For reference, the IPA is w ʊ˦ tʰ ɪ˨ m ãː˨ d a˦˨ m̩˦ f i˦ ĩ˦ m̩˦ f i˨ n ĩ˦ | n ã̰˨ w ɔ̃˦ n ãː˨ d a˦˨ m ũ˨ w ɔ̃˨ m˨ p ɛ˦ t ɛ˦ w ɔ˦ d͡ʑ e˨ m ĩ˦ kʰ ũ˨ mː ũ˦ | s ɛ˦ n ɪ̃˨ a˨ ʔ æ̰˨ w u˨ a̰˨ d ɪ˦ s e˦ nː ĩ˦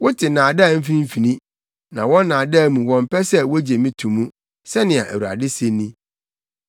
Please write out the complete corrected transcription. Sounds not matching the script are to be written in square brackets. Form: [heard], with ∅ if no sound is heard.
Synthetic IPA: w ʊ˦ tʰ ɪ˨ [n] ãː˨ d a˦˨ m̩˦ f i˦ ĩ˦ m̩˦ f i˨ n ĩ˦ | n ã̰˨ w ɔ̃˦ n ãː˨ d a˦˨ m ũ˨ w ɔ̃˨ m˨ p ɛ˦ [s] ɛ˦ w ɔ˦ d͡ʑ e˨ m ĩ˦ [tʰ] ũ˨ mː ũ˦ | s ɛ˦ n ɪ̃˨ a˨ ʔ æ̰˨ w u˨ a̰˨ d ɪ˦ s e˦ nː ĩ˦